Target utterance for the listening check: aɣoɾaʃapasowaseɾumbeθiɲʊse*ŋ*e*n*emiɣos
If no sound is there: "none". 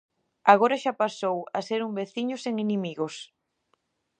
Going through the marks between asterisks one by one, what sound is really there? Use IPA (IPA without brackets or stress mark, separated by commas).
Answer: ŋ, n